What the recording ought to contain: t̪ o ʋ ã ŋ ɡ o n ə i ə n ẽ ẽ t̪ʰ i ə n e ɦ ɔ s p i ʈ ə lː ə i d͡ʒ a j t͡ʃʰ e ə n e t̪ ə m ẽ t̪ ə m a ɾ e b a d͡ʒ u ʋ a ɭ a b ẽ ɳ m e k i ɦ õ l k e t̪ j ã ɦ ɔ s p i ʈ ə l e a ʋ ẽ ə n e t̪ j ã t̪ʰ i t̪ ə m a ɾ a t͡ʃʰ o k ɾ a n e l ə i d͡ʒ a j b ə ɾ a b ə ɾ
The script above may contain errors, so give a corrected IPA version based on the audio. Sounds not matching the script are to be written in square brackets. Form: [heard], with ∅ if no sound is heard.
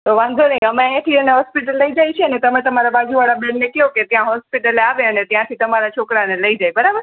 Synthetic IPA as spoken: t̪ o ʋ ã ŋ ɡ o n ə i ə [m] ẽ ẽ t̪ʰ i ə n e ɦ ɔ s p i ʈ ə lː ə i d͡ʒ a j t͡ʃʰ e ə n e t̪ ə m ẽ t̪ ə m a ɾ [a] b a d͡ʒ u ʋ a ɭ a b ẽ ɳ [n] e k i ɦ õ [∅] k e t̪ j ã ɦ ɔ s p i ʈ ə l e a ʋ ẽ ə n e t̪ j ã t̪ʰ i t̪ ə m a ɾ a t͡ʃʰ o k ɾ a n e l ə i d͡ʒ a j b ə ɾ a b ə ɾ